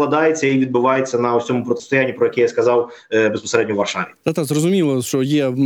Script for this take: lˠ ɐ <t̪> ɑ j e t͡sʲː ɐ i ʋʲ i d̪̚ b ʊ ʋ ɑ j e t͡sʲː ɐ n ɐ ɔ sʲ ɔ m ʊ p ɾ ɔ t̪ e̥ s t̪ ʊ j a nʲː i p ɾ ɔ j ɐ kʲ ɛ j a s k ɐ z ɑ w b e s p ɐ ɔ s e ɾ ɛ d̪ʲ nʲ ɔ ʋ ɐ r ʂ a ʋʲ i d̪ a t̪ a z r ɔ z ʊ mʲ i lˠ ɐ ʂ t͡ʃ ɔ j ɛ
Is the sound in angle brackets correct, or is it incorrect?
incorrect